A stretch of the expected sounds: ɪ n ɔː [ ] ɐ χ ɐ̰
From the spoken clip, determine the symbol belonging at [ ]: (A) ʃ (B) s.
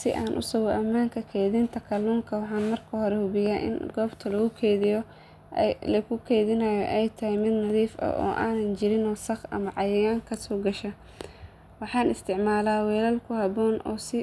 B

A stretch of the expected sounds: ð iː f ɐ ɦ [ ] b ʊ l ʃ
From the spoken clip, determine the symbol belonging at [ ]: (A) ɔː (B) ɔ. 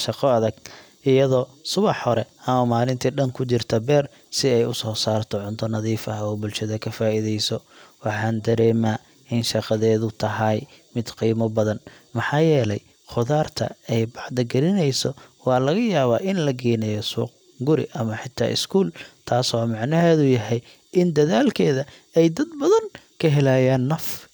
A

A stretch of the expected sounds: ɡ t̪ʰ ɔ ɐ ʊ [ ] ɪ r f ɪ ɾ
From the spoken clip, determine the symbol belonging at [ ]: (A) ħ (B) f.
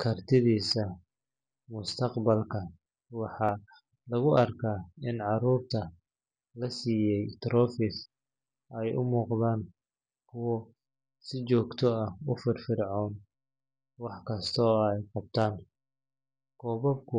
B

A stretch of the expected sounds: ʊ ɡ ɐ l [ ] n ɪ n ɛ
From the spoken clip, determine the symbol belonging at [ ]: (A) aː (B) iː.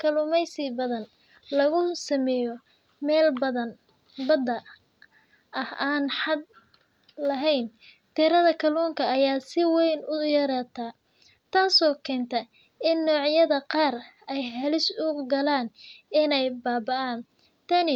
A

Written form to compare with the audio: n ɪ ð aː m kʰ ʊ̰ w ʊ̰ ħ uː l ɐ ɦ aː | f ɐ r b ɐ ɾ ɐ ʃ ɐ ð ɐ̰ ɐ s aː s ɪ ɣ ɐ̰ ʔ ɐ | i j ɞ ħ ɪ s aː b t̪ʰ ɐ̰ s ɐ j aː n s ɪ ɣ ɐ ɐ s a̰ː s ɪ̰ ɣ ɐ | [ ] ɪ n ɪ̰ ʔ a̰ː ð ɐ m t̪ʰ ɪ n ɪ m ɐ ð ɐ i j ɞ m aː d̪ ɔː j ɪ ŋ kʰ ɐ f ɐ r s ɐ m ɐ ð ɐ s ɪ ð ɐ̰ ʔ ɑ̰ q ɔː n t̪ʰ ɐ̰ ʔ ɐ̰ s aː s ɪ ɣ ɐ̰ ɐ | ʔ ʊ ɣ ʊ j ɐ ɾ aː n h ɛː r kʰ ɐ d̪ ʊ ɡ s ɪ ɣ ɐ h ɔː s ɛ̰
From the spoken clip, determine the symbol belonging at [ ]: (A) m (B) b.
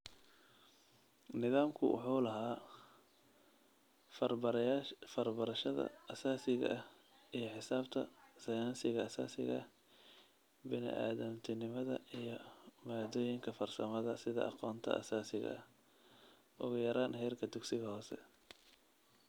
B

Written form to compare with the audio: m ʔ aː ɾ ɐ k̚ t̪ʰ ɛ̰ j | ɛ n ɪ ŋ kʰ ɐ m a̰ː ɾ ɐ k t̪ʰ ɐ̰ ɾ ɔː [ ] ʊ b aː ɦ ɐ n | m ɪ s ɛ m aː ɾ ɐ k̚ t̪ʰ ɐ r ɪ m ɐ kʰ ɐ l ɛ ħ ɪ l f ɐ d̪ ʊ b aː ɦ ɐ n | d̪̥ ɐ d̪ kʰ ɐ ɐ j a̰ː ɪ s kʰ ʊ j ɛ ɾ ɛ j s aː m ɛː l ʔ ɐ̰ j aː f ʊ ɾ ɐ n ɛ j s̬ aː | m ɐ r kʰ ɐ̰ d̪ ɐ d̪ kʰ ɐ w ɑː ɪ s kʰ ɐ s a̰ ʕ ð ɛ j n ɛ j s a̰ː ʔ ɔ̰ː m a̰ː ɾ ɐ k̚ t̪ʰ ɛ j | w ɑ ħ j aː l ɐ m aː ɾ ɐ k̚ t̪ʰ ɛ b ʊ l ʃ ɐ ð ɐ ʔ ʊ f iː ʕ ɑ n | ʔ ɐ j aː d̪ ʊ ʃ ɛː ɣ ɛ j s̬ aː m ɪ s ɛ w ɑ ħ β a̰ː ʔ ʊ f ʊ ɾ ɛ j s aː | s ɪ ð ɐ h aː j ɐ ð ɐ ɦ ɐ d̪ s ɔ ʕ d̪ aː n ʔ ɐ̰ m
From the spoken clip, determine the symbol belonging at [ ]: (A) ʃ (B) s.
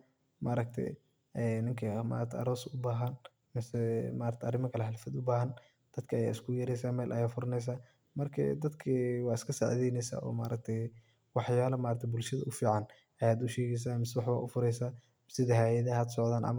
B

